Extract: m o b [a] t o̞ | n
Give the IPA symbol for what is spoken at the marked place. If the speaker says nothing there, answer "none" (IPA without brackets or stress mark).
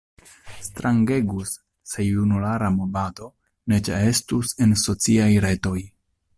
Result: a